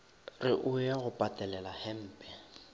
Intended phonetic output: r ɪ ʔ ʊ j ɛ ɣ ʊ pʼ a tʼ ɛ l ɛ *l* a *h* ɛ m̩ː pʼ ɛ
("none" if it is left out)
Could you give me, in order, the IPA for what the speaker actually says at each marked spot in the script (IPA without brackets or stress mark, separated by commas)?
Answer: l, h